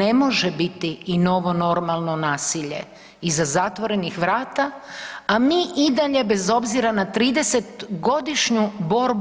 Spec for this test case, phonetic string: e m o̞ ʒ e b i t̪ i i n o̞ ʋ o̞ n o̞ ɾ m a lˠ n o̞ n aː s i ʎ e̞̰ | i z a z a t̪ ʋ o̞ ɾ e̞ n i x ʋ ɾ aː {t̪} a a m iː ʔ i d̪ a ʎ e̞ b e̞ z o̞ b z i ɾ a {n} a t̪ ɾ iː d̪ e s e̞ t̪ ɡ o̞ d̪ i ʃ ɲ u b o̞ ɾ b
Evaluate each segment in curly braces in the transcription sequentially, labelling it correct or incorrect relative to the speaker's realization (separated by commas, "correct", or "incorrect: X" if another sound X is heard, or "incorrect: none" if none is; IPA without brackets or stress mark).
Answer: correct, correct